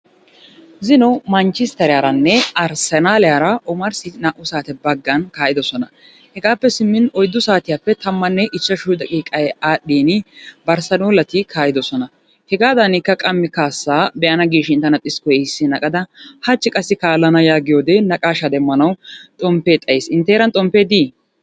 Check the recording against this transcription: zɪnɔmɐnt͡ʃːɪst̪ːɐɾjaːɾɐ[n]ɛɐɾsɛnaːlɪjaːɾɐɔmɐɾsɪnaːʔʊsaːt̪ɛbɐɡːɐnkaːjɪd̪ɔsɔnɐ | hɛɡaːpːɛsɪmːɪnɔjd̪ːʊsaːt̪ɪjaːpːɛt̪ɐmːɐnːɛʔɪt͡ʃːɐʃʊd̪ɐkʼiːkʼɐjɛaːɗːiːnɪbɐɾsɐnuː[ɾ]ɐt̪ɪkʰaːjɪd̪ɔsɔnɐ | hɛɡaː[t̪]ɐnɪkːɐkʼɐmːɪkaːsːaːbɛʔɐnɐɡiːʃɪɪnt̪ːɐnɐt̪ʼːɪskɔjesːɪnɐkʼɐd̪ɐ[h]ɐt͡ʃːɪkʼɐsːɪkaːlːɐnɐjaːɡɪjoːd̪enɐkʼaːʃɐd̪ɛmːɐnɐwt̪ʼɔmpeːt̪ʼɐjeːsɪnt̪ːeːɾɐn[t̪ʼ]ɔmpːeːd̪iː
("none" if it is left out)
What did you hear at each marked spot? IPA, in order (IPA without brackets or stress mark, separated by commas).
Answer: nː, l, d̪, h, t̪ʼ